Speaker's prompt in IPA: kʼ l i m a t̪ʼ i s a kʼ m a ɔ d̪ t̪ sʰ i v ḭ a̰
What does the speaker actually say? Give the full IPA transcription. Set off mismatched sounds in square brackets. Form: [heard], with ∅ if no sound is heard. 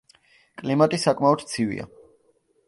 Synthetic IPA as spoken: kʼ l i m a t̪ʼ i s a kʼ m a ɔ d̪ t̪ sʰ i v ḭ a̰